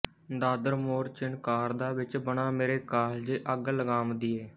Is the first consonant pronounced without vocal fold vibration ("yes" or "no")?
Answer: no